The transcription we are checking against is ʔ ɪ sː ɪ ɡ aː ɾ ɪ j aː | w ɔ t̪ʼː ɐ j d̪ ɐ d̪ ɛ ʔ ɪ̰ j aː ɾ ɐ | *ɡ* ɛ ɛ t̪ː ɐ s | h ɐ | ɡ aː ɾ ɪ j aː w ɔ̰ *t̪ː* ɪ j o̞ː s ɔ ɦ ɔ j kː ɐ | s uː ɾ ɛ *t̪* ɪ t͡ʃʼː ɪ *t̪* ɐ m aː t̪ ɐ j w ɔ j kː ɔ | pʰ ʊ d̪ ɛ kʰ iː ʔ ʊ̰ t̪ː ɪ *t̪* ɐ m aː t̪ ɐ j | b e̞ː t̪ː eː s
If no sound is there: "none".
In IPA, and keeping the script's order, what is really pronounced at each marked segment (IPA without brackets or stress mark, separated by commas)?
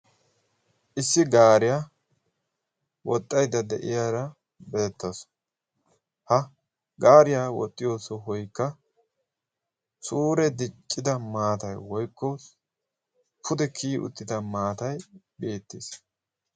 b, t̪ʼː, d̪, d̪, d̪